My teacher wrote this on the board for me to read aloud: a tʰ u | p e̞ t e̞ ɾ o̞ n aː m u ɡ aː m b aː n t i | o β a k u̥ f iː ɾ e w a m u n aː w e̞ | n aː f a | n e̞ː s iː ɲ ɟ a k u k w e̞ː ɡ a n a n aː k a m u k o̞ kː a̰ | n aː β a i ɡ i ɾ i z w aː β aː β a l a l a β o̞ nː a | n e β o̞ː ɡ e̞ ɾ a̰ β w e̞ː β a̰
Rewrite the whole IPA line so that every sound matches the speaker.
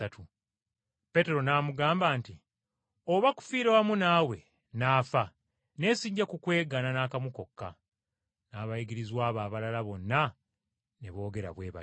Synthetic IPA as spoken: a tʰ u | p e̞ t e̞ ɾ o̞ n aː m u ɡ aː m b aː n t i | o β a k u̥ f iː ɾ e w a m u n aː w e̞ | n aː f a | n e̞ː s iː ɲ ɟ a k u k w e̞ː ɡ a n a n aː k a m u k o̞ kː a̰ | n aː β a i ɡ i ɾ i z w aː β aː β a l a l a β o̞ nː a | n e β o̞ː ɡ e̞ ɾ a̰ β w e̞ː β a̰